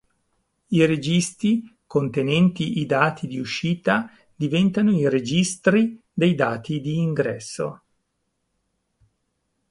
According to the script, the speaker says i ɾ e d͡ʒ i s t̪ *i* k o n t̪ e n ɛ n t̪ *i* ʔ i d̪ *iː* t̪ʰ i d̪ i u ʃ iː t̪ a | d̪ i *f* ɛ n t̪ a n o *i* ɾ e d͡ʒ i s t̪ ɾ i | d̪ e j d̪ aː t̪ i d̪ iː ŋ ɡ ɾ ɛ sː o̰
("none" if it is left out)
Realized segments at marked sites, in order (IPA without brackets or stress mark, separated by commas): i, i, aː, v, i